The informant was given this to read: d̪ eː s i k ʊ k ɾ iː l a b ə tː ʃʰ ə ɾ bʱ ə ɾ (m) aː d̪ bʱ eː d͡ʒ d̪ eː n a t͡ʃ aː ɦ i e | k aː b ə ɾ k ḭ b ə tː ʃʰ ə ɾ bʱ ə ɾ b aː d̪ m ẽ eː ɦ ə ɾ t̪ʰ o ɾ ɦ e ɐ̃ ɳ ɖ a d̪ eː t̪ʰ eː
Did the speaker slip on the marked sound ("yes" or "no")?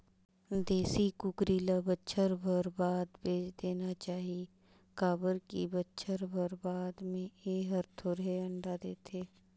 yes